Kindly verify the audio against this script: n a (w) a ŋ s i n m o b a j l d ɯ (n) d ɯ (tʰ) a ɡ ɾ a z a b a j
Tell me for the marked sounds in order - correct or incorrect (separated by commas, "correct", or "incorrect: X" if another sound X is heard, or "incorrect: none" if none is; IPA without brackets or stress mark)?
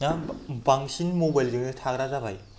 incorrect: b, incorrect: ŋ, correct